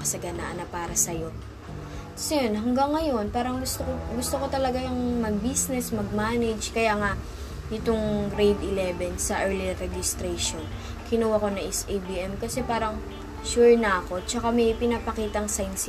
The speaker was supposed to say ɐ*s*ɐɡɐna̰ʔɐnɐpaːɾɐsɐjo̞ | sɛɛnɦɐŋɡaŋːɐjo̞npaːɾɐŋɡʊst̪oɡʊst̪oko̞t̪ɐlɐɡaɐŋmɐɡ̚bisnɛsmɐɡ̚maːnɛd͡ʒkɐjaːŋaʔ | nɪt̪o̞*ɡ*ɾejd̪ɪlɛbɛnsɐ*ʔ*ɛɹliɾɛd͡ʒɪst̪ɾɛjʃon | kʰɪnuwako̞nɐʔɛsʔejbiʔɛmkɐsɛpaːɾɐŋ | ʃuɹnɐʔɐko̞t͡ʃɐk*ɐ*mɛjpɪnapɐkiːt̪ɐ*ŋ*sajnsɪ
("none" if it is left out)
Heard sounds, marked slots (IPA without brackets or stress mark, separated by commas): s, ŋ, ʔ, a, ŋ